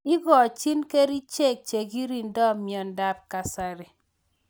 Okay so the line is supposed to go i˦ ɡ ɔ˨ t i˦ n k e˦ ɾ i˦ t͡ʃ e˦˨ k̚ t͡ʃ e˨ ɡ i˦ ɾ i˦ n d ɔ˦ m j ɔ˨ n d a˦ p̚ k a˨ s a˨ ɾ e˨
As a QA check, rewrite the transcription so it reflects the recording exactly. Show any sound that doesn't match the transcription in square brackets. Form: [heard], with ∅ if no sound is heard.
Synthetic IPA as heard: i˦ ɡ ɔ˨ [t͡ʃ] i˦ n k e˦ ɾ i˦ t͡ʃ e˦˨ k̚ t͡ʃ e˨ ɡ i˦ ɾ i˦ n d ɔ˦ m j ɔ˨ n d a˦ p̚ k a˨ s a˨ ɾ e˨